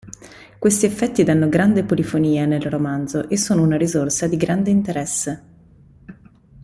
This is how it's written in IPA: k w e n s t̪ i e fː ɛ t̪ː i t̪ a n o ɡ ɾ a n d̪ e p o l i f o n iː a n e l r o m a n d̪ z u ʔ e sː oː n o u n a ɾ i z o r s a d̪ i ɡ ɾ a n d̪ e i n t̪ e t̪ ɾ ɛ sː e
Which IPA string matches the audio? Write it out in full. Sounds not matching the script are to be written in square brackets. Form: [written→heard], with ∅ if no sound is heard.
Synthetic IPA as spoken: k w e [n→∅] s t̪ i e fː ɛ t̪ː i [t̪→d̪] a [n→nː] o ɡ ɾ a n d̪ e p o l i f o n iː a n e l r o m a n d̪ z [u→o] ʔ e sː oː n o u n a ɾ i z o r s a d̪ i ɡ ɾ a n d̪ e i n t̪ e [t̪→∅] ɾ ɛ sː e